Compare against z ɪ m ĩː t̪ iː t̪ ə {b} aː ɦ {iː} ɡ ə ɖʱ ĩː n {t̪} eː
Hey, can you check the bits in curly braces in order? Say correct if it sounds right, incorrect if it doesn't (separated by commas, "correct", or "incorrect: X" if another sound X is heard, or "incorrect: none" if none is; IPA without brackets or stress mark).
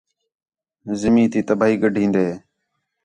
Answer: correct, correct, incorrect: d̪